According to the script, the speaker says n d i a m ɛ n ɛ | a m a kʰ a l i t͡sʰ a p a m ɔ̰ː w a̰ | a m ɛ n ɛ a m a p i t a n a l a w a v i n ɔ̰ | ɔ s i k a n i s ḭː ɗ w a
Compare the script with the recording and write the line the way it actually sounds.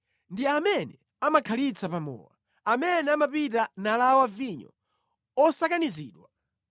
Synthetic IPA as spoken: n d i a m ɛ n ɛ | a m a kʰ a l i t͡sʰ a p a m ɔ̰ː w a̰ | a m ɛ n ɛ a m a p i t a n a l a w a v i ɲ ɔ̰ | ɔ s a k a n i z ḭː ɗ w a